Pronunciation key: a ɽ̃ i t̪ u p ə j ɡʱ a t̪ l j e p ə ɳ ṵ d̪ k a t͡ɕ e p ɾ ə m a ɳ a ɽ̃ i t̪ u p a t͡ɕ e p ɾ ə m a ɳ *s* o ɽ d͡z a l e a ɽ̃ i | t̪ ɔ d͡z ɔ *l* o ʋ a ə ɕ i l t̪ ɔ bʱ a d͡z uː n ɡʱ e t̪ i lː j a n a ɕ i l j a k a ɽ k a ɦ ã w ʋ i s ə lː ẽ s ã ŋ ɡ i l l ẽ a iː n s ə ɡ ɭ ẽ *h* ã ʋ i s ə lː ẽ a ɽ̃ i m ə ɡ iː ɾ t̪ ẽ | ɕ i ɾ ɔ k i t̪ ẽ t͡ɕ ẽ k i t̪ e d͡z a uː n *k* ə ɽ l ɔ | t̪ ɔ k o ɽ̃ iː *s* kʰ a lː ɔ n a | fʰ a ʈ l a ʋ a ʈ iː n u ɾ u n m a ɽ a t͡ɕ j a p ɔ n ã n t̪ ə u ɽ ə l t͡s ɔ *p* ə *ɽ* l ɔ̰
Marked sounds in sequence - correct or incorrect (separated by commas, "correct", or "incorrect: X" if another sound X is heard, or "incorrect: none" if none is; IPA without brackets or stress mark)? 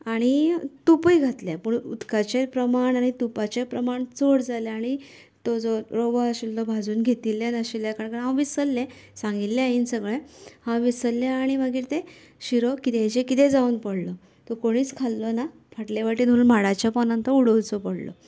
incorrect: t͡s, incorrect: ɾ, correct, incorrect: p, incorrect: t͡s, correct, correct